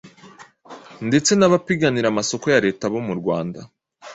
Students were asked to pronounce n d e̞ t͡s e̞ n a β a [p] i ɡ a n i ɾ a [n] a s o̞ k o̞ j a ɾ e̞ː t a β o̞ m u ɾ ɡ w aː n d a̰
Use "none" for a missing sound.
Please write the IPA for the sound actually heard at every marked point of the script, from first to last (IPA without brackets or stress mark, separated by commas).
p, m